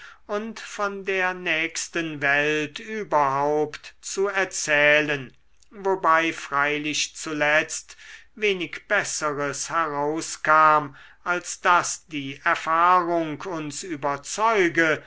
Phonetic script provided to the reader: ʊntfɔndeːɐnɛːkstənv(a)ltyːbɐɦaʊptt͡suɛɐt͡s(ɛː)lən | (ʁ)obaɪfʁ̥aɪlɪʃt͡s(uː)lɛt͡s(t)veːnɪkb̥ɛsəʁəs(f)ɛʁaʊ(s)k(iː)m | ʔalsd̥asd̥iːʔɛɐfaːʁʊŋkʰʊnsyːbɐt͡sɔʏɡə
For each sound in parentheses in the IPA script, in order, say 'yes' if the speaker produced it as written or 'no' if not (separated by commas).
no, yes, no, no, yes, no, yes, no